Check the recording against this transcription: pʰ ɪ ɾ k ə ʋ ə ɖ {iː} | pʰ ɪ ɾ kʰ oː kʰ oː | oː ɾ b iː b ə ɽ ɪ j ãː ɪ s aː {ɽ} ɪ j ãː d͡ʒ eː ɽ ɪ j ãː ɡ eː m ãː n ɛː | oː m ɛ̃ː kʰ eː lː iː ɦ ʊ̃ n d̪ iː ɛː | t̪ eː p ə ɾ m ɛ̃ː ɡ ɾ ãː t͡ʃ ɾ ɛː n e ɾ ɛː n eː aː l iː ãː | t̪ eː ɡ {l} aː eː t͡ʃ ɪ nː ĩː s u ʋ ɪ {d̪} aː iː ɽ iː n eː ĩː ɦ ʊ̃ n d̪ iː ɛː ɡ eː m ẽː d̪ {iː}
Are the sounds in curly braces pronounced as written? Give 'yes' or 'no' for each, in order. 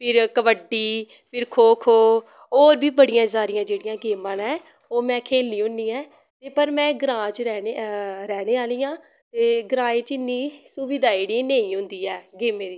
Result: yes, no, no, yes, yes

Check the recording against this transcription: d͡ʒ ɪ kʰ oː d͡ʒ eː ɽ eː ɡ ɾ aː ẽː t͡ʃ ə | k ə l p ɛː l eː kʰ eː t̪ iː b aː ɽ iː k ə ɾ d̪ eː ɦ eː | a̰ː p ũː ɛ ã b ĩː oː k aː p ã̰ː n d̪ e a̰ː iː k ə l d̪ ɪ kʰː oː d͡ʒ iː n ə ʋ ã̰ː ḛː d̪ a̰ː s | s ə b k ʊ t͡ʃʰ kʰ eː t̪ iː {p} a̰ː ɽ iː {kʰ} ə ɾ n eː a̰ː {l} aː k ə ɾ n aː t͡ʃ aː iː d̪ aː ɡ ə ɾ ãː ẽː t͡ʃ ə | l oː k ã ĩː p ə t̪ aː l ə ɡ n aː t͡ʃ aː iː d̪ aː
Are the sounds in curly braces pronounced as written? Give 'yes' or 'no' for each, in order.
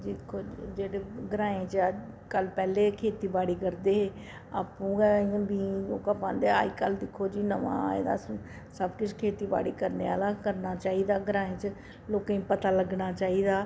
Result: no, no, yes

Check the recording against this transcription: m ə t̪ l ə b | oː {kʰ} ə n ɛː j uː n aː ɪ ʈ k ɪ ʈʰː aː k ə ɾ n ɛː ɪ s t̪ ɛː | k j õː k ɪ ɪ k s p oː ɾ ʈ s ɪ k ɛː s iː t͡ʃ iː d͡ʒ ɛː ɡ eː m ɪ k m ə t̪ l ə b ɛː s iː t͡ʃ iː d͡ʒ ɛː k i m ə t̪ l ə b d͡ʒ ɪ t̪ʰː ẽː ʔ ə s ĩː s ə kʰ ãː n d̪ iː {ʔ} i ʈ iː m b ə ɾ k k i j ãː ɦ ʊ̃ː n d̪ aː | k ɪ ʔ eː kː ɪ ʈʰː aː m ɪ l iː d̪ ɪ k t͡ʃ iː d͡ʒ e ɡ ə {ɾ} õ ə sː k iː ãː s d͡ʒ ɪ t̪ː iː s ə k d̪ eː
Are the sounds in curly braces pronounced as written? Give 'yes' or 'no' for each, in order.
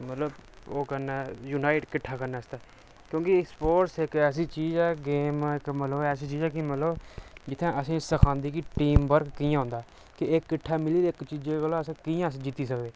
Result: no, no, no

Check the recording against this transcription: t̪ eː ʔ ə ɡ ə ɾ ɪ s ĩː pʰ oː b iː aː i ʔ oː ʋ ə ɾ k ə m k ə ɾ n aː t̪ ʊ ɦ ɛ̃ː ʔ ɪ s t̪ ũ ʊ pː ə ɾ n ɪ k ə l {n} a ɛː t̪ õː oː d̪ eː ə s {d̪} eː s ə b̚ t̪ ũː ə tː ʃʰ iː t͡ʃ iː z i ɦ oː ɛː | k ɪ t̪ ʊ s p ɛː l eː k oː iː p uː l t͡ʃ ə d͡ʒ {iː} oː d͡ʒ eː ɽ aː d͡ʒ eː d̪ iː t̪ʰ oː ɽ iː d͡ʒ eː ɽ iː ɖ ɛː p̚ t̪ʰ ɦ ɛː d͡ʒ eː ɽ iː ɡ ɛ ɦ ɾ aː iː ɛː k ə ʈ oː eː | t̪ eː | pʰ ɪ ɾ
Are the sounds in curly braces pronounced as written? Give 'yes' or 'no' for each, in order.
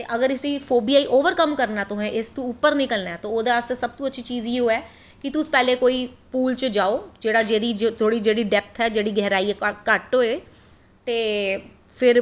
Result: yes, no, no

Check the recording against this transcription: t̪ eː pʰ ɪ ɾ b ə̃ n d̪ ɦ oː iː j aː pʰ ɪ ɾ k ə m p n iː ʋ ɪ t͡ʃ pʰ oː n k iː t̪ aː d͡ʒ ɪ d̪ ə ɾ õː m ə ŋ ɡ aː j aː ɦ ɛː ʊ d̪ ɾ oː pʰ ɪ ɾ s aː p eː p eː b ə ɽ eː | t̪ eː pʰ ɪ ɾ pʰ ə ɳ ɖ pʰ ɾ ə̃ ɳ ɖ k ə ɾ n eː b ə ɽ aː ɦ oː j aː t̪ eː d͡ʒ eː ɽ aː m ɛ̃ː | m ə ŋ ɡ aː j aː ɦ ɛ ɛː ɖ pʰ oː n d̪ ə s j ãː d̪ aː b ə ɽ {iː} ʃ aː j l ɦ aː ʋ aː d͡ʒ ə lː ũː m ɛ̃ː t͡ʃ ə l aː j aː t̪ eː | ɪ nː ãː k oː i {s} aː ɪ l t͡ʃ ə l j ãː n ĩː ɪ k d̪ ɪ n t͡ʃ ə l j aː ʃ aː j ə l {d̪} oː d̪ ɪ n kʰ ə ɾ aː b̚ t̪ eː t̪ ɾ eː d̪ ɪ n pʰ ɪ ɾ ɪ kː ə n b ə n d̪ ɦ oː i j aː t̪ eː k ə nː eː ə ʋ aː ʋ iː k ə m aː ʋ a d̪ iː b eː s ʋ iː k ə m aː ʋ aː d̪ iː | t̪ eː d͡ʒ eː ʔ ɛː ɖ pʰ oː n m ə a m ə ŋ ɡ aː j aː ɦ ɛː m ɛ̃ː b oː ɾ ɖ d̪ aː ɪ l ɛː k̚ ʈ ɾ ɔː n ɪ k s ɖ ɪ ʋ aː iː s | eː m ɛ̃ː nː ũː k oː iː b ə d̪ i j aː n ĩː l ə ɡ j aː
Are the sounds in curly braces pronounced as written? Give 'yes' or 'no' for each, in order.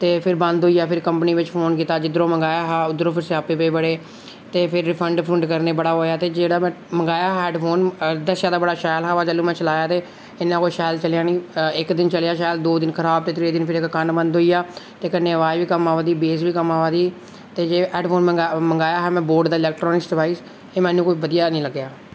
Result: no, no, yes

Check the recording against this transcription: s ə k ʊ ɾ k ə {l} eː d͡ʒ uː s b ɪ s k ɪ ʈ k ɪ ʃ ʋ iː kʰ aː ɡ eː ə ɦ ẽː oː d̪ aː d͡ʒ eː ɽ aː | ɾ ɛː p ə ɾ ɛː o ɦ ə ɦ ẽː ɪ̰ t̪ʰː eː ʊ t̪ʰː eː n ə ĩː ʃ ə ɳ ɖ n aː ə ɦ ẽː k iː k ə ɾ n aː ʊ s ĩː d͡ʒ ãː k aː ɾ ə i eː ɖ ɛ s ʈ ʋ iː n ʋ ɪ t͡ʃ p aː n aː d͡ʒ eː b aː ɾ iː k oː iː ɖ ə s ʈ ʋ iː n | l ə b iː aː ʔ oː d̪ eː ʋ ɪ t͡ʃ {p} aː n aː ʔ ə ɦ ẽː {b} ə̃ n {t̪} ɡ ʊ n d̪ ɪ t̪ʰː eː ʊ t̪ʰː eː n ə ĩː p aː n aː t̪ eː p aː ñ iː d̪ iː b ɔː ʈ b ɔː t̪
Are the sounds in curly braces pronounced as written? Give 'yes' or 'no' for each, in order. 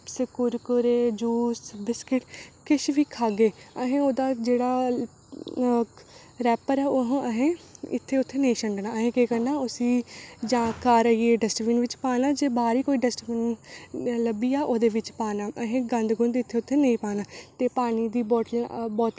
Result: no, yes, no, no

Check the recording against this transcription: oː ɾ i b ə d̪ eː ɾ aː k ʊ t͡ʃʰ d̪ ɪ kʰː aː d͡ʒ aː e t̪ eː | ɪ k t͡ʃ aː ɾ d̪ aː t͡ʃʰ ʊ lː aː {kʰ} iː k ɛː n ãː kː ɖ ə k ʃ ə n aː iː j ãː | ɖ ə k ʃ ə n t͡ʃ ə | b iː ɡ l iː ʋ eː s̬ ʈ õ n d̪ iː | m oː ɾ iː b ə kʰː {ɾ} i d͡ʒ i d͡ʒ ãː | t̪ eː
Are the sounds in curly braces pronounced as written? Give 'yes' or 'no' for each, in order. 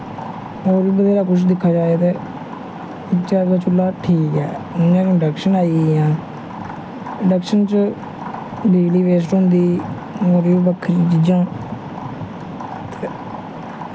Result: no, yes

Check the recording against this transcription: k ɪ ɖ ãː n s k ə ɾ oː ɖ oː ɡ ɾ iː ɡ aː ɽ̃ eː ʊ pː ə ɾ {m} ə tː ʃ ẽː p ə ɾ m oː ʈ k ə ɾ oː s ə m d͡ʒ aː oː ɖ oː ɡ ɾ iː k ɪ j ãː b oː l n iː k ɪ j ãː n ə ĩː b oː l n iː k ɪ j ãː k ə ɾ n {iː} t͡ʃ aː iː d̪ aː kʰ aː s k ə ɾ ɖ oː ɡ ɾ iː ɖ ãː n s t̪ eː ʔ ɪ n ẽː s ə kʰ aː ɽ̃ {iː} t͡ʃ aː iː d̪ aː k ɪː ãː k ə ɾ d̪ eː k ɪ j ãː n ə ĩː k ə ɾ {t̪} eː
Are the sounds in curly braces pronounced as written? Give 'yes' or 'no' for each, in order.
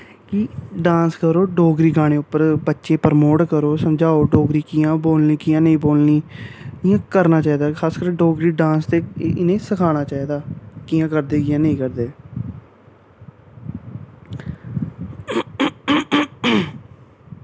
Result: no, no, no, no

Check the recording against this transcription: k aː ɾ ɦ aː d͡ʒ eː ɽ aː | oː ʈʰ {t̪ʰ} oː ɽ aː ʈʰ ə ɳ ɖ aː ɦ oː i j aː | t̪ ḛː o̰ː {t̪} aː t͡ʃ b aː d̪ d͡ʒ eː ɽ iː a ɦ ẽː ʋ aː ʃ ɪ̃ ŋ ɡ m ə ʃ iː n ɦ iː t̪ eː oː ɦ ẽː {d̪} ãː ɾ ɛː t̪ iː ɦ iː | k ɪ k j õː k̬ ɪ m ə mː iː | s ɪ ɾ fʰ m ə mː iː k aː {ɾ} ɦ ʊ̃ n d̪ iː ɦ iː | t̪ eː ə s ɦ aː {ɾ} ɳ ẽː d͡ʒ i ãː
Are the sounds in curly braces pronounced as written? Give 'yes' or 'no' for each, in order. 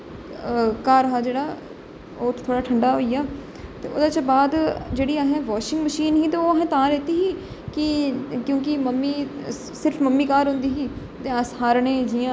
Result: yes, no, no, yes, yes

